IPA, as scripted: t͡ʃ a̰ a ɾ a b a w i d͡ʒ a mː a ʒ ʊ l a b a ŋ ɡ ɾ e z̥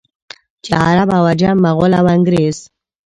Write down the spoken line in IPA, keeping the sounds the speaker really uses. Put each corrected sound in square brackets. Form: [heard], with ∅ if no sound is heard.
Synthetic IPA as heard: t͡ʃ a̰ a ɾ a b a w [a] d͡ʒ a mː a [ɣ] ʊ l a [w] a ŋ ɡ ɾ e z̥